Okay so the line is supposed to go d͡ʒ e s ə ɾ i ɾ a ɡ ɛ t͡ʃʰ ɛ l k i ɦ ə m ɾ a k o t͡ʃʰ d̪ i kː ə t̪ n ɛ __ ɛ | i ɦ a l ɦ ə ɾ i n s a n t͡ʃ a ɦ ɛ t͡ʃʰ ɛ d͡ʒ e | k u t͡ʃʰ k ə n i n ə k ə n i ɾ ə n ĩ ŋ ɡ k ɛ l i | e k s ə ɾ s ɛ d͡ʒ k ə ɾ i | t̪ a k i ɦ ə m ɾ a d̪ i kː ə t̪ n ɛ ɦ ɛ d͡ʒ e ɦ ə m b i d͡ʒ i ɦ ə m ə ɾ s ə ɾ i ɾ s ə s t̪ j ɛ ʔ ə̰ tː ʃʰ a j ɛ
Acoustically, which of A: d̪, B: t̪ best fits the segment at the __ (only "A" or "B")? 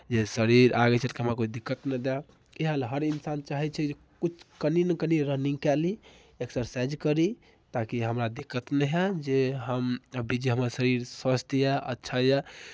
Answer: A